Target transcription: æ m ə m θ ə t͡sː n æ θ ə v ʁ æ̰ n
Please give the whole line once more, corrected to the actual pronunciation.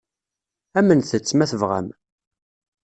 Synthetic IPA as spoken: æ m ə n θ ə t͡sː m æ θ ə v ʁ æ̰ m